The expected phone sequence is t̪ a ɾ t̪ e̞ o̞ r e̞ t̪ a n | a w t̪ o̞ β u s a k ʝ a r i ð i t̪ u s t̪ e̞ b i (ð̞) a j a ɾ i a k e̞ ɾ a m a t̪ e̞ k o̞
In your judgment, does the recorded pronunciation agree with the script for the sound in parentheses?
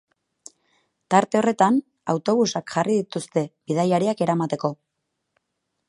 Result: yes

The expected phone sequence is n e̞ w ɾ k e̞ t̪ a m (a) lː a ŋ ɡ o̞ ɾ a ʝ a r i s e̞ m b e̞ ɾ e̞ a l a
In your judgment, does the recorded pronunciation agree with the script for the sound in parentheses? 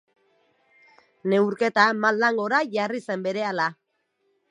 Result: yes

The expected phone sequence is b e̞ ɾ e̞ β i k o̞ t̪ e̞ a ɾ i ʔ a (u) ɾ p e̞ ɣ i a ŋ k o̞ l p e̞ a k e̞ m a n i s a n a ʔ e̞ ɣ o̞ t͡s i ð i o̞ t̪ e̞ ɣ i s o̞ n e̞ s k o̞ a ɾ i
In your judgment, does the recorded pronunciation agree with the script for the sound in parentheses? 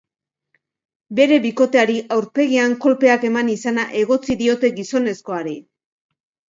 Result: no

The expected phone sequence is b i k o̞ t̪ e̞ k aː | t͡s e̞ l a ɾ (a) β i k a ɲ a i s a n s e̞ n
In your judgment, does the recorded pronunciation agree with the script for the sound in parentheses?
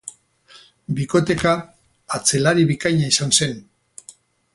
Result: no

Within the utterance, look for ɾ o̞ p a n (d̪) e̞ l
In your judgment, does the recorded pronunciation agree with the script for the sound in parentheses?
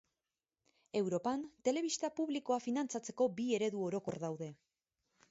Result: no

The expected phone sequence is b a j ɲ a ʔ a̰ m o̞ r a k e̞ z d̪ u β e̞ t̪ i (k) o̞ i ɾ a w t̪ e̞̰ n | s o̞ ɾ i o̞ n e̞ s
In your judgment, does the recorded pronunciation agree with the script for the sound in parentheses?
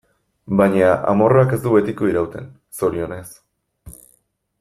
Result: yes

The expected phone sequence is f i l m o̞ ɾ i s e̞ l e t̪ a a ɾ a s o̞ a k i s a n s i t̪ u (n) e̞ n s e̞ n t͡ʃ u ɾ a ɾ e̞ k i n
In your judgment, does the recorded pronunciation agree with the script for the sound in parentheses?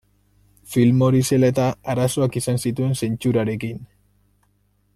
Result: no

